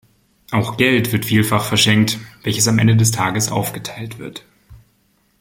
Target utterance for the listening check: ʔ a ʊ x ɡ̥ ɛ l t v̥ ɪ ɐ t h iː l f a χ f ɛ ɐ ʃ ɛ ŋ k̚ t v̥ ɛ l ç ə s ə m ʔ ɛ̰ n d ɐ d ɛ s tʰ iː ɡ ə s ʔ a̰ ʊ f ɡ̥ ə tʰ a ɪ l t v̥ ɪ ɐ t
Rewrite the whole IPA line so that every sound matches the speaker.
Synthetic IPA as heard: ʔ a ʊ x ɡ̥ ɛ l t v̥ ɪ ɐ t f iː l f a χ f ɛ ɐ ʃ ɛ ŋ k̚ t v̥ ɛ l ç ə s a m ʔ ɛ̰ n d ə d ɛ s tʰ aː ɡ ə s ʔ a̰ ʊ f ɡ̥ ə tʰ a ɪ l t v̥ ɪ ɐ t